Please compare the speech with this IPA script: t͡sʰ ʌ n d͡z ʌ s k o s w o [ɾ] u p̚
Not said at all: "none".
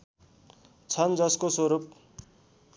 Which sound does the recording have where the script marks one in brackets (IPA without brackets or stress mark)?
ɾ